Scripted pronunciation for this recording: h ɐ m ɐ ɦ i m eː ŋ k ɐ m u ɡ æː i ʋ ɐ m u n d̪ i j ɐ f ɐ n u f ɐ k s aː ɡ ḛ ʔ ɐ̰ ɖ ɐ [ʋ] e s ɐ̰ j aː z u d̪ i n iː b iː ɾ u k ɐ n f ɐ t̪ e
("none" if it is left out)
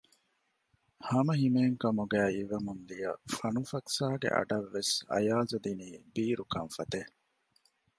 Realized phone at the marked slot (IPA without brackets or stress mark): ʋː